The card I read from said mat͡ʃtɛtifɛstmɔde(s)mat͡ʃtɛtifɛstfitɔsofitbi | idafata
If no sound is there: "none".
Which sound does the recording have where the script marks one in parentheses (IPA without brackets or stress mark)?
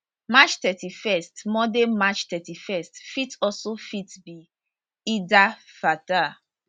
none